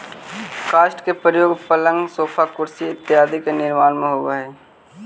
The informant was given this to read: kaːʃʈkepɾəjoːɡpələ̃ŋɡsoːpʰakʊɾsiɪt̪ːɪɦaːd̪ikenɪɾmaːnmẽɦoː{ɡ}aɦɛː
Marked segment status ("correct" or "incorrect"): correct